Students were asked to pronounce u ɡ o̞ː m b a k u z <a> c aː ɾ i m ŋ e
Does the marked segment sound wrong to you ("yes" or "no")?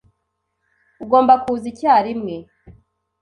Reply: yes